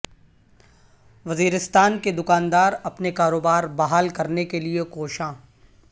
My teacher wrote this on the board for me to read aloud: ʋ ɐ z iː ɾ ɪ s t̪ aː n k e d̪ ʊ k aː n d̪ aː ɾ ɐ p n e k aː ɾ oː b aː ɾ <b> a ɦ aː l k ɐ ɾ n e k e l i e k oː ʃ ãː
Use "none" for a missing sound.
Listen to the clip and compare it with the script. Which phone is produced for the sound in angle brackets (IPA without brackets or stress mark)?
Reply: b